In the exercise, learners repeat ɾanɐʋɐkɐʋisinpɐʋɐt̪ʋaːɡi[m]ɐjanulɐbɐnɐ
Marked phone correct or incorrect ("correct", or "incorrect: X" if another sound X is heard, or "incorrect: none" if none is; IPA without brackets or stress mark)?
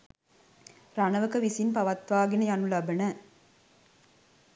incorrect: n